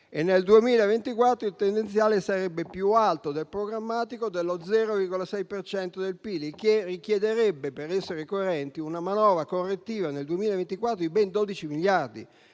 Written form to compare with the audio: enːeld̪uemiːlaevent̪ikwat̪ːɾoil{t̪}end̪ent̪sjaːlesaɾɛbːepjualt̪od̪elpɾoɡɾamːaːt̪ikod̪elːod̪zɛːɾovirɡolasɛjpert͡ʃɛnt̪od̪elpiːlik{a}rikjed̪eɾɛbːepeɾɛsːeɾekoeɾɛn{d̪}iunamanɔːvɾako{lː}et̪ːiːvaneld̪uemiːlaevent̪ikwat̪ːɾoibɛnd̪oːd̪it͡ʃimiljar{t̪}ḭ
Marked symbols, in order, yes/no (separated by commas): yes, no, no, no, no